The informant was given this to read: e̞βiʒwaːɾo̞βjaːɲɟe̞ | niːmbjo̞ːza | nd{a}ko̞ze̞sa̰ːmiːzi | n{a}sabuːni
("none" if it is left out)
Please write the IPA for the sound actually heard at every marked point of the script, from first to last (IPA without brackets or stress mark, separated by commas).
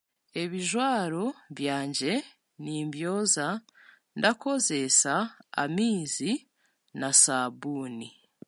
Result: a, a